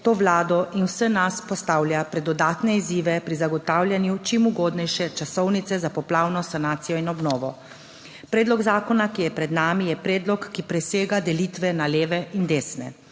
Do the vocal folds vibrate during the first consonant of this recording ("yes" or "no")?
no